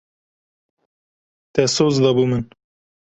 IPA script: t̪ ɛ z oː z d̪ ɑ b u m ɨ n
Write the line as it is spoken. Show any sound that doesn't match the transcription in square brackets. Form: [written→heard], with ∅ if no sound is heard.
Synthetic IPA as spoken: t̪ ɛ [z→s] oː z d̪ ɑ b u m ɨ n